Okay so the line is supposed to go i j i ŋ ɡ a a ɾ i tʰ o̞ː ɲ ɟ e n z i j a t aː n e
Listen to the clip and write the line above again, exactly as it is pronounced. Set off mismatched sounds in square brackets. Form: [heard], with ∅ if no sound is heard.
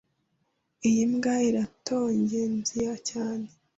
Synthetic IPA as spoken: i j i [m] ɡ a [i] ɾ [a] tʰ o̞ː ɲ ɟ e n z i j a [c] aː n e